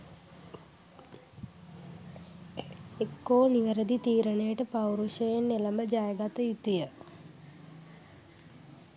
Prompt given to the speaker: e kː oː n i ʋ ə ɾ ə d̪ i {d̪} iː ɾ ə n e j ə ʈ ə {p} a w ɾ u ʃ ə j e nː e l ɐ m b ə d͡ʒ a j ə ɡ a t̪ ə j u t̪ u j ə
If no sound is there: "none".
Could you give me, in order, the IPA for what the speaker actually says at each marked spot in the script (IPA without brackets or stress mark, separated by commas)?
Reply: t̪, p